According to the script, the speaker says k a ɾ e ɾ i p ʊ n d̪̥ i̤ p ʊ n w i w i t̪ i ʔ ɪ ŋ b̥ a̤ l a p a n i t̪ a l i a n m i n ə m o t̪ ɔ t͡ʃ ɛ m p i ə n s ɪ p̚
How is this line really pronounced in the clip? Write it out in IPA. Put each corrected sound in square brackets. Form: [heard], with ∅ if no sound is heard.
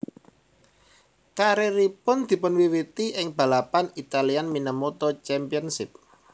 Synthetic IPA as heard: k a ɾ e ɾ i p ʊ n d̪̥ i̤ p ʊ n w i w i t̪ i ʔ ɪ ŋ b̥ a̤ l a p a n i t̪ a l i a n m i n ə m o t̪ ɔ t͡ʃ ɛ m p i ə n s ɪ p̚